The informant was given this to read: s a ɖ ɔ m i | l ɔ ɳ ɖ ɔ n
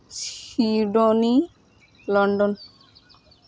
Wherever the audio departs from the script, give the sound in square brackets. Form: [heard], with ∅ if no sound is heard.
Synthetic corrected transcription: s [i] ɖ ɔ [n] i | l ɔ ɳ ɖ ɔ n